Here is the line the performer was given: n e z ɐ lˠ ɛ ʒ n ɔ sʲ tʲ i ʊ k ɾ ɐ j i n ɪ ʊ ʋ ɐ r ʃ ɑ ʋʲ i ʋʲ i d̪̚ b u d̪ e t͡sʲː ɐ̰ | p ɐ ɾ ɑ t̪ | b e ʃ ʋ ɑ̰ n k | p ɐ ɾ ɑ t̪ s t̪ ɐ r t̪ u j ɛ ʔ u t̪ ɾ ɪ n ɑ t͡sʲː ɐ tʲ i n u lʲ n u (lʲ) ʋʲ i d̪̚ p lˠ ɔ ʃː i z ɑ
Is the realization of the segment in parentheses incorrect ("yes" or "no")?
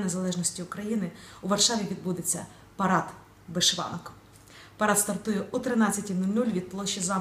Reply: no